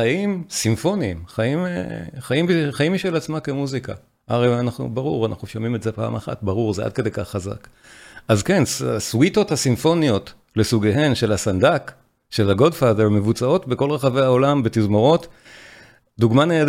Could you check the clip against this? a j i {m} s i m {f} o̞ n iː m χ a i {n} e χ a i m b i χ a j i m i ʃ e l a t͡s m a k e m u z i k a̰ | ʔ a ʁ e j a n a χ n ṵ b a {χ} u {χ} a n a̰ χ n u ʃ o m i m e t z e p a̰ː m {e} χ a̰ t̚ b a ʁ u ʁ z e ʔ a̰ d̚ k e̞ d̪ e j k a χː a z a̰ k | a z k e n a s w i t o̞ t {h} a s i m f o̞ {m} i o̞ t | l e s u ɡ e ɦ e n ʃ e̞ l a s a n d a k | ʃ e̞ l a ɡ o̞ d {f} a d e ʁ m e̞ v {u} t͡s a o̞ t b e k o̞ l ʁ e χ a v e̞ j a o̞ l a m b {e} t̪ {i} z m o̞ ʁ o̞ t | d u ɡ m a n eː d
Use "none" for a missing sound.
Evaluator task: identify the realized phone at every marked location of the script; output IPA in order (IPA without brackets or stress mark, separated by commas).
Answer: m, f, m, ʁ, ʁ, a, h, n, f, u, e, i